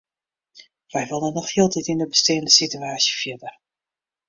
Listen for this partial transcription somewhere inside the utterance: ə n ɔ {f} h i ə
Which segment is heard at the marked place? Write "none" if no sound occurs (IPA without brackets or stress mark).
x